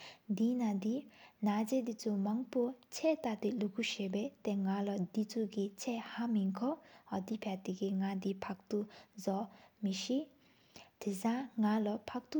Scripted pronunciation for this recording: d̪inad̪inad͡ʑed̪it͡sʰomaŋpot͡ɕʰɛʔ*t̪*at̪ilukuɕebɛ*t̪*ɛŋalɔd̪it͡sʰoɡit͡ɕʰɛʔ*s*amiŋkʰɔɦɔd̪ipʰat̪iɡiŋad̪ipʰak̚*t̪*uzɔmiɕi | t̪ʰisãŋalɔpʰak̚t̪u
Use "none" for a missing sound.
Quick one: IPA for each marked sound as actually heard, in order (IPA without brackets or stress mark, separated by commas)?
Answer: t̪, t̪, h, t̪